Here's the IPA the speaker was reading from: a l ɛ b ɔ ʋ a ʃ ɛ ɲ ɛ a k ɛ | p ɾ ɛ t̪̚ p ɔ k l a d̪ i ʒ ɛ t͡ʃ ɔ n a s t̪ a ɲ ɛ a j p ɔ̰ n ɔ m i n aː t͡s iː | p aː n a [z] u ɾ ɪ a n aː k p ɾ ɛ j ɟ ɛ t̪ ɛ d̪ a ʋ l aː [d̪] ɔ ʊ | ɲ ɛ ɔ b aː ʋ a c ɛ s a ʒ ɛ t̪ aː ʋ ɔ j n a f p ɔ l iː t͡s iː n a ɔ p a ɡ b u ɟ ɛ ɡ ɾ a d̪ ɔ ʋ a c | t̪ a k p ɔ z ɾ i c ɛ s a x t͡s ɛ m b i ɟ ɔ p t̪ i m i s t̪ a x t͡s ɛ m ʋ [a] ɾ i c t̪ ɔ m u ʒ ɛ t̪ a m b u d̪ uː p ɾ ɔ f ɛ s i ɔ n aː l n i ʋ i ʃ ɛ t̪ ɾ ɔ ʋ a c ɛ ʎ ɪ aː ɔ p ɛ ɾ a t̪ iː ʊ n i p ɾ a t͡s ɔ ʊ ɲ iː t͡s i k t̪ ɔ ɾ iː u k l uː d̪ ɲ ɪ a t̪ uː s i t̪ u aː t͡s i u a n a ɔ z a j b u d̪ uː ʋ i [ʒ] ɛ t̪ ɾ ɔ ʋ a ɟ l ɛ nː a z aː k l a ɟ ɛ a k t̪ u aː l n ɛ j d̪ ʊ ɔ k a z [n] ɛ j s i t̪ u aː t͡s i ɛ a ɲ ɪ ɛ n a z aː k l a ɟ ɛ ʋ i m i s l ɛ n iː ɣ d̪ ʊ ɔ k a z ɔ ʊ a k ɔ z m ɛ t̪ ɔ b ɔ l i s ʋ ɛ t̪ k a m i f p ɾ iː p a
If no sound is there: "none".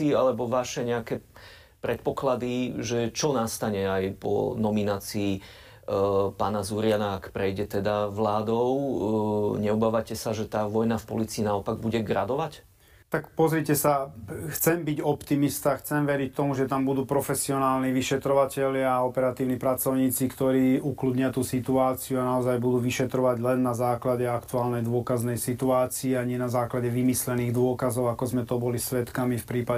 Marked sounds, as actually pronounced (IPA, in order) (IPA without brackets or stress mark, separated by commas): z, d̪, ɛ, ʃ, n